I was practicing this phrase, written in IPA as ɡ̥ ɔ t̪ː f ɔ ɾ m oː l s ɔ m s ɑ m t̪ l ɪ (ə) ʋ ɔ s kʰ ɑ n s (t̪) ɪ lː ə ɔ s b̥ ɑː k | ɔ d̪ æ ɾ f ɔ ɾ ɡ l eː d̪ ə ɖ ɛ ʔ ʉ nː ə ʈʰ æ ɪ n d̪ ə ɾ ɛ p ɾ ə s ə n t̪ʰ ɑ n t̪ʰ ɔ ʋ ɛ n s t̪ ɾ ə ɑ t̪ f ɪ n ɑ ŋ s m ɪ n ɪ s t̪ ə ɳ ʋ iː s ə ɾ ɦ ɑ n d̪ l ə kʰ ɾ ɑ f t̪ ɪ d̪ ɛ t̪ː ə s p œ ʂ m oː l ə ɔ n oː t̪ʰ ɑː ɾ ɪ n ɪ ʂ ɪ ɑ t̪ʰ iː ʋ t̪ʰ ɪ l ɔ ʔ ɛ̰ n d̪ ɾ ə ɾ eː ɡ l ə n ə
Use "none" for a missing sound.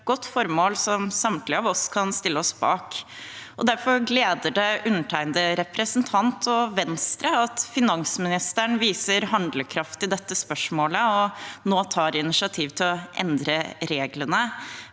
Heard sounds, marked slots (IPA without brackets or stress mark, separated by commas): ɑ, t̪